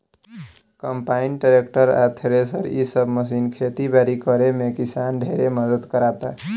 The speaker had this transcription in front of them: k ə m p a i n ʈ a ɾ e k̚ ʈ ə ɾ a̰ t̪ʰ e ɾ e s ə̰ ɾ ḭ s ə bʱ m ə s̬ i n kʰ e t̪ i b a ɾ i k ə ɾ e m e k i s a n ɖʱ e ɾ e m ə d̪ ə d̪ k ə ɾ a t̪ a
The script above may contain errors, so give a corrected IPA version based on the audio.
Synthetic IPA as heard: k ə m p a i n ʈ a ɾ e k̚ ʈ ə ɾ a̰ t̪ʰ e ɾ e s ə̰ ɾ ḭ s ə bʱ m ə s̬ i n kʰ e t̪ i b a ɾ i k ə ɾ e m e k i s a n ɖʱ e ɾ e m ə d̪ ə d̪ k ə ɾ a t̪ a